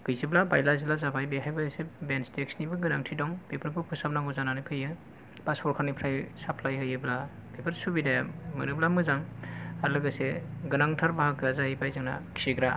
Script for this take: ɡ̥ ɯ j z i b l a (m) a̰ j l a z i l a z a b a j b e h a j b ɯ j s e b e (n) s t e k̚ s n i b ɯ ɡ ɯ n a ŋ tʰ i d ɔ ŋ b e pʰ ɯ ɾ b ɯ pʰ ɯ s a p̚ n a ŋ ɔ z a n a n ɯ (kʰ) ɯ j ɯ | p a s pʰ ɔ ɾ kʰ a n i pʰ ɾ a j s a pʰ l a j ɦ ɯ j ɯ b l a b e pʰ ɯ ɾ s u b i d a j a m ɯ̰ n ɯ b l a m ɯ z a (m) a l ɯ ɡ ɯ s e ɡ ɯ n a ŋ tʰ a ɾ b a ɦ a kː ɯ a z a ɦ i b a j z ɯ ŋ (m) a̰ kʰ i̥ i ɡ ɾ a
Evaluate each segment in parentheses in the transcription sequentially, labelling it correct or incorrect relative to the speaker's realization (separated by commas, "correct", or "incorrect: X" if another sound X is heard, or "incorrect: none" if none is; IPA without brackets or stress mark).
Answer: incorrect: b, correct, incorrect: pʰ, incorrect: ŋ, incorrect: n